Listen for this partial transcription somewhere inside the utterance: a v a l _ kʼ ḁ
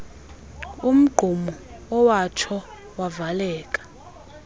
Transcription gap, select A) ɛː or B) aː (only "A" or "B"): A